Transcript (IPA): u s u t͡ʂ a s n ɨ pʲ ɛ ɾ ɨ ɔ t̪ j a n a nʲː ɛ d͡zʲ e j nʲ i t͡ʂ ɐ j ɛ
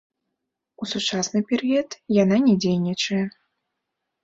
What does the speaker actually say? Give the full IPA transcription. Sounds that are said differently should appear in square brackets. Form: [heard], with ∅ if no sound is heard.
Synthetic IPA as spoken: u s u t͡ʂ a s n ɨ pʲ ɛ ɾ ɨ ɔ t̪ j a n a [nʲ] ɛ d͡zʲ e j nʲ i t͡ʂ ɐ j ɛ